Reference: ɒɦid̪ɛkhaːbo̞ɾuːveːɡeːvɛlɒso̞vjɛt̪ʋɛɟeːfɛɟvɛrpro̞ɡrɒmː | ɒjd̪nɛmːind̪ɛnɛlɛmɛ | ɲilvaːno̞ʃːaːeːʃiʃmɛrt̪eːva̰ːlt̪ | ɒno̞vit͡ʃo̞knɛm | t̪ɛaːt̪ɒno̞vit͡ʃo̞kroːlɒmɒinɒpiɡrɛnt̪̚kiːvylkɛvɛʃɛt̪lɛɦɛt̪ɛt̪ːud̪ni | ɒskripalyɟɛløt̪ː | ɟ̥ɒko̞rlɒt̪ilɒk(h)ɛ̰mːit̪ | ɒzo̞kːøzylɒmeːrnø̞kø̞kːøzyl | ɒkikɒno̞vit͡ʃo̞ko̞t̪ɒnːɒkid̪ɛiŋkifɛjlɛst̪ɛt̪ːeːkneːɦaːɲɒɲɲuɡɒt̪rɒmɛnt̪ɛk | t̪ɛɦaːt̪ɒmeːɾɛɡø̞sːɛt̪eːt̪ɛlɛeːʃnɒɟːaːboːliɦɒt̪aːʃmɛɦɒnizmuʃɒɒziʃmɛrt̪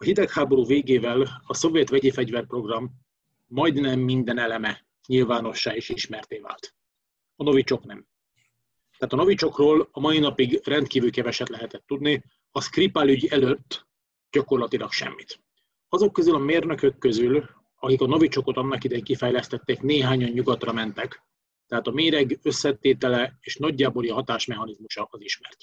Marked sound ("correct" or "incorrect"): incorrect